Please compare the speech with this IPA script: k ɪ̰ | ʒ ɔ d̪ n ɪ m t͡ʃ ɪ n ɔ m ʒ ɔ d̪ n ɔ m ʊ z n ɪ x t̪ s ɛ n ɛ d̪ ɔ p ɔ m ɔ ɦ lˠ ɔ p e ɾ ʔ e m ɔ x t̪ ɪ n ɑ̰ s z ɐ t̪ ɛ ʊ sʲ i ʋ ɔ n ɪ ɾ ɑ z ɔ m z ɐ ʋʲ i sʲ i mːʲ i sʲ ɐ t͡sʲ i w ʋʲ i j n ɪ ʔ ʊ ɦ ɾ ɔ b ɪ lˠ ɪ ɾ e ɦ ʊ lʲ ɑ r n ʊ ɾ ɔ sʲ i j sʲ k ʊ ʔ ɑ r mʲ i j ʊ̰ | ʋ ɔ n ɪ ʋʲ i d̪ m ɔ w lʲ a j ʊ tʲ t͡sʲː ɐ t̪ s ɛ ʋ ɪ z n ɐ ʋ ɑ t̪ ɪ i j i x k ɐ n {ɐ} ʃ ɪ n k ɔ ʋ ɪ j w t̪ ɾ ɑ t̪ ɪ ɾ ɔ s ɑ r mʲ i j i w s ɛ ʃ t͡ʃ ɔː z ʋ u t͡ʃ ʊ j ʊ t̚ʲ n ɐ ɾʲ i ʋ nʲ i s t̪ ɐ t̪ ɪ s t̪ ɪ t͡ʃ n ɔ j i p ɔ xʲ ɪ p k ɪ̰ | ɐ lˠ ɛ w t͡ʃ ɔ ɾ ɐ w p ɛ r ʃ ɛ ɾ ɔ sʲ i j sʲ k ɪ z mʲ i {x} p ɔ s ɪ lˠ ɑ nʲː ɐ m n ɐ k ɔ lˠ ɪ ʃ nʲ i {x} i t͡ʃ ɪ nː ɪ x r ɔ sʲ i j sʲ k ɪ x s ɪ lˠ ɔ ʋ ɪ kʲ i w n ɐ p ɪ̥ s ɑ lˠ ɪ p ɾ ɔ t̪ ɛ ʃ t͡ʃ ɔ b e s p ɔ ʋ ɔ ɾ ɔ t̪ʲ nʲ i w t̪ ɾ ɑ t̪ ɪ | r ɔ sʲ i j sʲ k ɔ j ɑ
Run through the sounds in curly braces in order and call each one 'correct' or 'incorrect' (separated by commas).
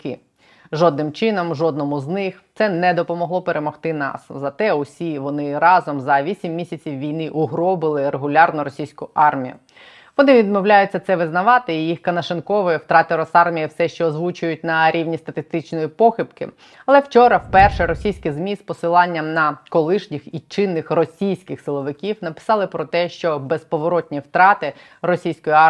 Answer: correct, incorrect, correct